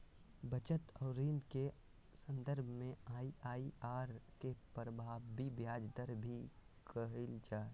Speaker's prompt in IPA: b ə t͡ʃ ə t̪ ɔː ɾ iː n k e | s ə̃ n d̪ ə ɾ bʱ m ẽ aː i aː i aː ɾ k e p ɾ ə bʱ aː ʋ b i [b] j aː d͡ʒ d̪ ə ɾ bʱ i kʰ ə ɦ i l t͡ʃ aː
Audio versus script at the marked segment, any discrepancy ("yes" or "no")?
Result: no